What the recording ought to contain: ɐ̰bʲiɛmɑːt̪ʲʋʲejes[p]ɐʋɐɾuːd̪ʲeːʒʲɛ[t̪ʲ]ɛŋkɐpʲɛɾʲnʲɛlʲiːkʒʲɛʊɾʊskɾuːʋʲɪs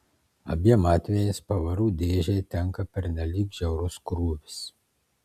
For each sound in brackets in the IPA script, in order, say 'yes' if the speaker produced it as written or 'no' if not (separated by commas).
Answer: yes, yes